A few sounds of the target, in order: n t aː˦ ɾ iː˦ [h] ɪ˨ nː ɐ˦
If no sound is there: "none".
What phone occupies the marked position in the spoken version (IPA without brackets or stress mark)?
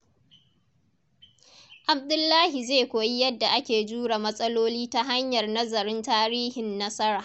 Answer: h